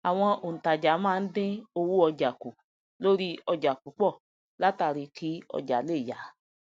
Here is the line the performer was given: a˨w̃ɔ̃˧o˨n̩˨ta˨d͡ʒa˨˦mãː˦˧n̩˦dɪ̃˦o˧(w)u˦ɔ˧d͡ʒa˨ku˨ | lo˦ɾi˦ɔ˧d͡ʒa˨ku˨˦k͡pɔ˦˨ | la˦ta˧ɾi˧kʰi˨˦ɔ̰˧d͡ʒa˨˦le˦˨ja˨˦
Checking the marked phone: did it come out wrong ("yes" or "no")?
no